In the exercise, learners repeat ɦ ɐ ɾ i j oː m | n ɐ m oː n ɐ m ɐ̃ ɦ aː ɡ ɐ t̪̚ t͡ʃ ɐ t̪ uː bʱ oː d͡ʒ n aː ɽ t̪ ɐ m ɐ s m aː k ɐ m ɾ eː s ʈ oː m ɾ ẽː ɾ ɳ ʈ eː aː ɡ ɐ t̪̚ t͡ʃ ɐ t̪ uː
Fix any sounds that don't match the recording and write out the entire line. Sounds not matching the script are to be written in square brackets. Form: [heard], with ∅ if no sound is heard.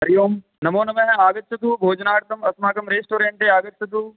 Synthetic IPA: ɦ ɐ ɾ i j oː m | n ɐ m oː n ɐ m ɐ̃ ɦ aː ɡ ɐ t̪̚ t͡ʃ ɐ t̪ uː bʱ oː d͡ʒ n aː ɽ t̪ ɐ m ɐ s m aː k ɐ m ɾ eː s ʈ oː [∅] ɾ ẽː [∅] ɳ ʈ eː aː ɡ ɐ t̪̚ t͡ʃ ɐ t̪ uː